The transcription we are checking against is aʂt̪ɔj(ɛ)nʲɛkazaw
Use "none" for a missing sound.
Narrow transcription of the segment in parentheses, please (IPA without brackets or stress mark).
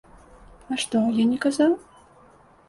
a